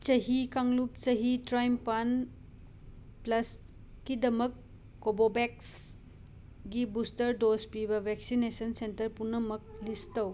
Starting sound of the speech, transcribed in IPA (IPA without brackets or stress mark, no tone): t͡ʃ